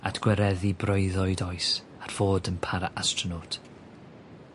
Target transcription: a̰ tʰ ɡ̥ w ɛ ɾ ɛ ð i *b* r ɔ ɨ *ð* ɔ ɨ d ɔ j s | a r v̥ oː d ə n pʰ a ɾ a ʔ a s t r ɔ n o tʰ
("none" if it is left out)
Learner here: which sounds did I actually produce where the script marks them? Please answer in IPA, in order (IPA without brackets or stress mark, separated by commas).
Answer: b, ð